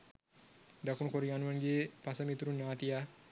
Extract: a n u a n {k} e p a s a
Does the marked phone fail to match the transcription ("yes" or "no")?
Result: yes